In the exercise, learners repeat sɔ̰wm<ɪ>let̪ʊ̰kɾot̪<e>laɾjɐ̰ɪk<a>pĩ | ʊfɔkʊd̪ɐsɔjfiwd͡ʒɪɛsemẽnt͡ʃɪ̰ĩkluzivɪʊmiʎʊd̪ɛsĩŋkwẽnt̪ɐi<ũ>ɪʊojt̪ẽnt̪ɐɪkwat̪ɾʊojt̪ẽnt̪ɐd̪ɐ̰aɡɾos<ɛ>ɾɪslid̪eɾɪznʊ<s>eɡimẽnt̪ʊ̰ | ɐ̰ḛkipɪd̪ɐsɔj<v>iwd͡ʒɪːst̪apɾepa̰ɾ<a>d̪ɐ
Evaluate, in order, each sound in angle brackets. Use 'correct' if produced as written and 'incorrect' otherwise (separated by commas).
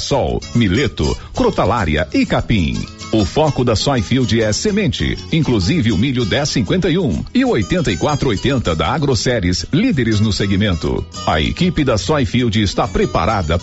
incorrect, incorrect, correct, correct, correct, correct, incorrect, correct